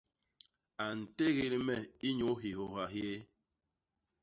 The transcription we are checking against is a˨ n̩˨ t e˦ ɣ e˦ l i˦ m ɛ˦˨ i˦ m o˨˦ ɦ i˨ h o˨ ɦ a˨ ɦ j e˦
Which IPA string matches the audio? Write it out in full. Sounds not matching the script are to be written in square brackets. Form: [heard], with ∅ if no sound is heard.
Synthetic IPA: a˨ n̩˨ t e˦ ɣ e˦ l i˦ m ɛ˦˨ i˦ [ɲ] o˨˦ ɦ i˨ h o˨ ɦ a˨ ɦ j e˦